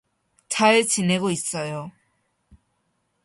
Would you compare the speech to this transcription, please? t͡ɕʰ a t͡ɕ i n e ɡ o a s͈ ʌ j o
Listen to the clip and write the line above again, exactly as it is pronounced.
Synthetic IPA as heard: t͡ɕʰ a t͡ɕ i n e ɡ o i s͈ ʌ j o